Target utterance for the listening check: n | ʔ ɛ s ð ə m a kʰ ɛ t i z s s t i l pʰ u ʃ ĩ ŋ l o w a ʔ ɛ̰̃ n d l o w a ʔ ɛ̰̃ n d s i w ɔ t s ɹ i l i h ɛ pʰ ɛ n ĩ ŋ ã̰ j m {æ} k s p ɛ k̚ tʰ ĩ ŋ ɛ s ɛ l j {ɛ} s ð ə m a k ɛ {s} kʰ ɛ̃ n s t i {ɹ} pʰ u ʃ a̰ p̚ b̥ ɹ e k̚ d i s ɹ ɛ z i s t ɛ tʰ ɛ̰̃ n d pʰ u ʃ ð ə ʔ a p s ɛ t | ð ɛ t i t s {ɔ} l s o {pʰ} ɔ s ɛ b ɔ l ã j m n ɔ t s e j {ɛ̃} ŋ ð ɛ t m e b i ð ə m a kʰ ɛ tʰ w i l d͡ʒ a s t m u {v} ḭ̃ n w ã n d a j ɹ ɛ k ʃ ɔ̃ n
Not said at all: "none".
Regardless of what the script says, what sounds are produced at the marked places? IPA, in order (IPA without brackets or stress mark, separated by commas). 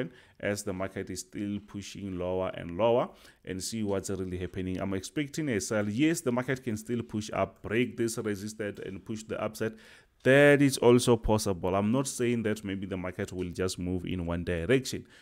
ɛ, ɛ, t, l, ɔ, pʰ, ĩ, v